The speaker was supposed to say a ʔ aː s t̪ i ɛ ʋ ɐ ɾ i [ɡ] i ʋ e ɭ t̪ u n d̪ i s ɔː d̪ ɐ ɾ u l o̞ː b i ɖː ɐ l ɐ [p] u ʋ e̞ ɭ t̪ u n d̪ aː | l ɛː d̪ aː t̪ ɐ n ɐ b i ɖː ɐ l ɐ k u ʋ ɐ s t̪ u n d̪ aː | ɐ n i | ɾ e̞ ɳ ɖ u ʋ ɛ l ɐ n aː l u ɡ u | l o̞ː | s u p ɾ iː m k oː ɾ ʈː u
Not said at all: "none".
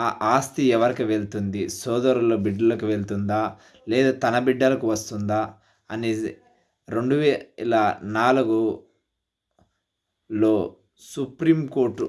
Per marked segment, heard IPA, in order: k, k

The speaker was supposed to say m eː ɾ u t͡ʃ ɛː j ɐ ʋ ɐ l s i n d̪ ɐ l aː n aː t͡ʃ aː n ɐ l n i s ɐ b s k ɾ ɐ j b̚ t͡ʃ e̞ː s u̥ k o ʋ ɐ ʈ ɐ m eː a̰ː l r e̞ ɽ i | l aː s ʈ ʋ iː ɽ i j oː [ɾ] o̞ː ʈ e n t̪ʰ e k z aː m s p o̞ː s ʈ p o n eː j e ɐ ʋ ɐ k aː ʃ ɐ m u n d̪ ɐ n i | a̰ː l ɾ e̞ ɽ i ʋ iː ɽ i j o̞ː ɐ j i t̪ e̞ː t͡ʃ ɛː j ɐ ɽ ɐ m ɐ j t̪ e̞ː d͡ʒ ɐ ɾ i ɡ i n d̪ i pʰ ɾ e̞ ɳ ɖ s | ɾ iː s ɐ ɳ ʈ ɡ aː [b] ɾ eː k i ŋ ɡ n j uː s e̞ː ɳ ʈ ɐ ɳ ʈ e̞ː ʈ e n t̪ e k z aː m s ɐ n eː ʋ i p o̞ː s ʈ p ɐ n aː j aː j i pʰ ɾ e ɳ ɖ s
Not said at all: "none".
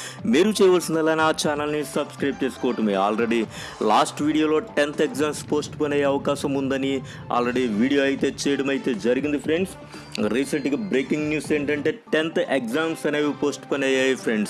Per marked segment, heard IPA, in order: l, b

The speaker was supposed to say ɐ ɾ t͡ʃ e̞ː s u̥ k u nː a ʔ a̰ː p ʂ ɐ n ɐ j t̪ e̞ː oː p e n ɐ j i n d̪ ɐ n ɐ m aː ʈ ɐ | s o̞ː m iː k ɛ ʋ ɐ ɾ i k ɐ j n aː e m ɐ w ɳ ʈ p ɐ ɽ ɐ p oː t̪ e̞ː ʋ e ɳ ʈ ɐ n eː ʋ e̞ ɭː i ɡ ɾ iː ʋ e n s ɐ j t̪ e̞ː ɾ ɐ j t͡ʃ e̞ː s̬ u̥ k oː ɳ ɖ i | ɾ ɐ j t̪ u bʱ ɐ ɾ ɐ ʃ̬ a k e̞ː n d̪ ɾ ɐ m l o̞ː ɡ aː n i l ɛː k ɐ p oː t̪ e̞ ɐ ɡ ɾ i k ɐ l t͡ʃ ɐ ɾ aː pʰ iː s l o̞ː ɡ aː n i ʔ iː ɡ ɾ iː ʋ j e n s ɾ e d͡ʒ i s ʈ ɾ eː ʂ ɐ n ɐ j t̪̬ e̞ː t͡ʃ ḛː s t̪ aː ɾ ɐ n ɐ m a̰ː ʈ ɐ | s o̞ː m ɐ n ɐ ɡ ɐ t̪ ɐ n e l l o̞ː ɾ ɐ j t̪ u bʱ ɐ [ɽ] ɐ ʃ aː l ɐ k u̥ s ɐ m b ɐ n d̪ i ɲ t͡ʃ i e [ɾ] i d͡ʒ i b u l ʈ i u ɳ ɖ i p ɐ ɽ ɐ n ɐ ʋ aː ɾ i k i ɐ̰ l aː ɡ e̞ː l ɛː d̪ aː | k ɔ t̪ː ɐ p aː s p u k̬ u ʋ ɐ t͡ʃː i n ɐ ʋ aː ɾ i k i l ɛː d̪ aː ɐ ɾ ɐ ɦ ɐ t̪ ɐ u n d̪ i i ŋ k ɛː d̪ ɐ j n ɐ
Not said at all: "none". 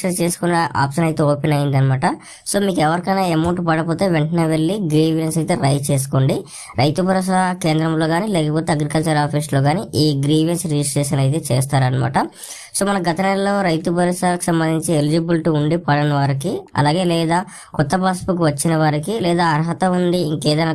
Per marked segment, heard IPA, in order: ɾ, l

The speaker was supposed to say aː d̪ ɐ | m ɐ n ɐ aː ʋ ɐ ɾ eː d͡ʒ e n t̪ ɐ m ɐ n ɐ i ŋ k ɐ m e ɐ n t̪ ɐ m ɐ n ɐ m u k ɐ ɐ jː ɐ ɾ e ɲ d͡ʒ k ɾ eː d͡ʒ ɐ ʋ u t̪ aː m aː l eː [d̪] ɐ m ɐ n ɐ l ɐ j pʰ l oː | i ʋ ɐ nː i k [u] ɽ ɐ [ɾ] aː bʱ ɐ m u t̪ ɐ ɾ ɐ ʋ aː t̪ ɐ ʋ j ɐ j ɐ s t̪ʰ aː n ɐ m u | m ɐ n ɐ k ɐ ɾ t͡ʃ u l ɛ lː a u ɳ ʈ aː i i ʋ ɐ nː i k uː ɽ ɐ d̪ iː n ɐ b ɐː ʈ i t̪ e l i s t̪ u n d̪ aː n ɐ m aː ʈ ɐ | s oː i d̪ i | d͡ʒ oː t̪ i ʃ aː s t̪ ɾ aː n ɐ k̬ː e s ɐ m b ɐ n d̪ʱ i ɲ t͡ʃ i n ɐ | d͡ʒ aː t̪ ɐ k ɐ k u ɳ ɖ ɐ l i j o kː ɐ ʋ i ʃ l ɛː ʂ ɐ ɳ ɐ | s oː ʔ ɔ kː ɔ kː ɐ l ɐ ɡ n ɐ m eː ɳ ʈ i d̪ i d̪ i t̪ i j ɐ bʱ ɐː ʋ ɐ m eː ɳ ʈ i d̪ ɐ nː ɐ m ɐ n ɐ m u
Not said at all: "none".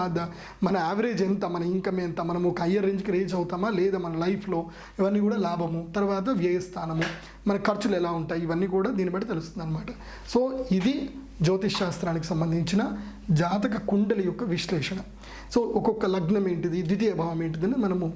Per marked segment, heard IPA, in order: d̪, uː, l

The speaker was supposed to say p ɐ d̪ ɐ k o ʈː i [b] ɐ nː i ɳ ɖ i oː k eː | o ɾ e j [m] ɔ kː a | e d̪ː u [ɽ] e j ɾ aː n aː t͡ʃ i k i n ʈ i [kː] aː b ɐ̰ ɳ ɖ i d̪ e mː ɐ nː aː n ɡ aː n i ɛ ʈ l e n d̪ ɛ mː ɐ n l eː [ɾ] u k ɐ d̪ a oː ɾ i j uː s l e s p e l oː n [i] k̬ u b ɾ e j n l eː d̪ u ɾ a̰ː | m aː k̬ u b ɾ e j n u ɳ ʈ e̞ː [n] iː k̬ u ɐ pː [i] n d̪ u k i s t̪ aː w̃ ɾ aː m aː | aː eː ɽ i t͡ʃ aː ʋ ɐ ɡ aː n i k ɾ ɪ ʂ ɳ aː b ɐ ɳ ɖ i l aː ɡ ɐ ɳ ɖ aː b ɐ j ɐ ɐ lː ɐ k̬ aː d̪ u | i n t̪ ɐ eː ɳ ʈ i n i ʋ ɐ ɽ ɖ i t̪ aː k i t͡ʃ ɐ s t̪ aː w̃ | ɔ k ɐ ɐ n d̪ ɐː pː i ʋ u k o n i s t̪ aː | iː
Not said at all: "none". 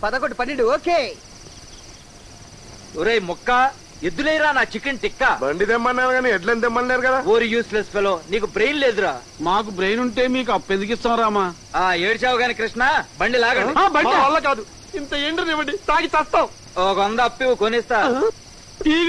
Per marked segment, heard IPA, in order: p, m, l, kː, ɾ, iː, m, e

